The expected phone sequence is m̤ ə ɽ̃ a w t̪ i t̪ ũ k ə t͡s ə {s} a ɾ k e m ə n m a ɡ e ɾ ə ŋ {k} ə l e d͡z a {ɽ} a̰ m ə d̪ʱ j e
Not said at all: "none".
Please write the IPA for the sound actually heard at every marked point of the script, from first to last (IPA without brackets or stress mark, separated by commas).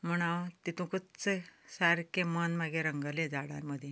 s, ɡ, ɽ